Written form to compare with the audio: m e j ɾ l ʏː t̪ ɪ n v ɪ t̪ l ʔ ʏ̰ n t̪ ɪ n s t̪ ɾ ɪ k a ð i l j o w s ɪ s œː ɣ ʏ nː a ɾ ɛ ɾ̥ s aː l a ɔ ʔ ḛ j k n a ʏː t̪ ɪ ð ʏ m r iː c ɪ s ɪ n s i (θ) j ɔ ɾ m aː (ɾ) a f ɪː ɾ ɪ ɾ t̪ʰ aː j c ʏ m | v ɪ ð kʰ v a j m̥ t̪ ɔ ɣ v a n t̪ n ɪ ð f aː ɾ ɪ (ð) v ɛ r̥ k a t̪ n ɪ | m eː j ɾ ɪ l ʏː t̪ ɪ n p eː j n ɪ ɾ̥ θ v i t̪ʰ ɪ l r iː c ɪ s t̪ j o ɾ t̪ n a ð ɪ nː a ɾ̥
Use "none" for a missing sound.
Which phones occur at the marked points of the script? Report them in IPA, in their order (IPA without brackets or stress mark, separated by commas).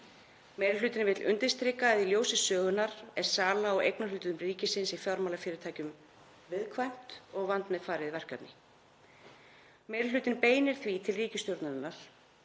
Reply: f, l, ð